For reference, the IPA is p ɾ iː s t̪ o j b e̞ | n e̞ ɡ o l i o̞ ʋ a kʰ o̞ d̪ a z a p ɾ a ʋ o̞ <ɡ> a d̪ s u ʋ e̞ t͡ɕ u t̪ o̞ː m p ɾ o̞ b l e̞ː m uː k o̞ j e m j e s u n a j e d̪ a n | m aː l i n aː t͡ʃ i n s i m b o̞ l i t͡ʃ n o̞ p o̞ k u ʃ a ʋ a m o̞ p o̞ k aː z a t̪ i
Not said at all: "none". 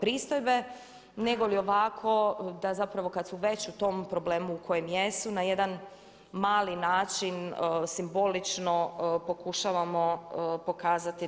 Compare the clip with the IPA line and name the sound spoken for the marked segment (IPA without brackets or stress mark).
k